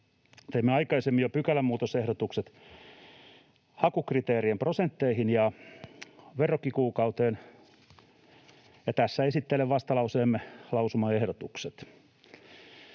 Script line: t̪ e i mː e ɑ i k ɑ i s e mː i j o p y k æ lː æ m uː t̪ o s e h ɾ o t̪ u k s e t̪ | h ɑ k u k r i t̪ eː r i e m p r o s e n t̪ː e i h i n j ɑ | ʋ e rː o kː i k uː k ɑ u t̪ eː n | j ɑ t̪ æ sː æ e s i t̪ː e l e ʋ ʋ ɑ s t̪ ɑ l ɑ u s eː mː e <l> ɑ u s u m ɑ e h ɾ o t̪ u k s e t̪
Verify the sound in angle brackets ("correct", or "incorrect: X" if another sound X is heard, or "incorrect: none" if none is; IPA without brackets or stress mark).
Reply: correct